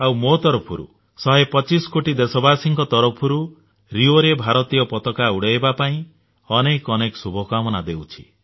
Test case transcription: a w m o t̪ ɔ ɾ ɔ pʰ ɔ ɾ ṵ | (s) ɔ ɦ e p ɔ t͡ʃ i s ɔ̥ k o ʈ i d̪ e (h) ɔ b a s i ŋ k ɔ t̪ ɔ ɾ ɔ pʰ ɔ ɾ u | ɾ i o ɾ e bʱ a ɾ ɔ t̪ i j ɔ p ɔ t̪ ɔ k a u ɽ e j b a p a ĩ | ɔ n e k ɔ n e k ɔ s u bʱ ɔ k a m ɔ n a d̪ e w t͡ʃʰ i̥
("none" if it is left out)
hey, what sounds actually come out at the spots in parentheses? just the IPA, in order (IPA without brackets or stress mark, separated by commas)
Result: s, s